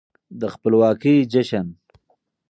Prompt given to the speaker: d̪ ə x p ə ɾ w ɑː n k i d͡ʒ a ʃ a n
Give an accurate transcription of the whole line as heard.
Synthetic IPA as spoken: d̪ ə x p ə l w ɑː k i d͡ʒ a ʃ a n